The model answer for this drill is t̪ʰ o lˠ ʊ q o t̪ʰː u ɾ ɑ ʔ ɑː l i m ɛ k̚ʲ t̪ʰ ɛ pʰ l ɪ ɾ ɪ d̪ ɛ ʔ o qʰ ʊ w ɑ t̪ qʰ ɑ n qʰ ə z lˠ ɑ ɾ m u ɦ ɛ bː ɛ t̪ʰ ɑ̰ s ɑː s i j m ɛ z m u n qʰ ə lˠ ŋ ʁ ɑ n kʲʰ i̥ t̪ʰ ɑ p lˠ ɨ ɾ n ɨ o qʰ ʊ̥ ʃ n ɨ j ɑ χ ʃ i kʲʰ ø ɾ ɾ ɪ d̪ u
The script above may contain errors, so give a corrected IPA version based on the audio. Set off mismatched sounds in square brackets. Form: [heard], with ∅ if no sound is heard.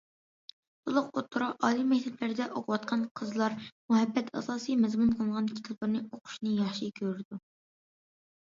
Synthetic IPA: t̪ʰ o lˠ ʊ q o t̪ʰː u ɾ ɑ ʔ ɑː l i m ɛ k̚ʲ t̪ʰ ɛ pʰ l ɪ ɾ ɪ d̪ ɛ ʔ o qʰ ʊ w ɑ t̪ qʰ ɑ n qʰ ə z lˠ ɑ ɾ m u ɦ ɛ bː ɛ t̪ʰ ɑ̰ s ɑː s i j m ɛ z m u n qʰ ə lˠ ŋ ʁ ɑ n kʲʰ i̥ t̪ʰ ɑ p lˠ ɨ ɾ n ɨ o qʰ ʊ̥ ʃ n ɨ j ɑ χ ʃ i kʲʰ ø ɾ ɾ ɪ d̪ u